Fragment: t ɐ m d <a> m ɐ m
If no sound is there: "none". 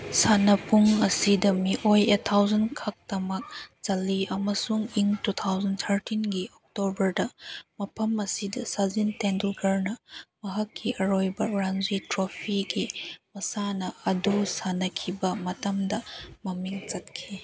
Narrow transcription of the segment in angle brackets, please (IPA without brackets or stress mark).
ɐ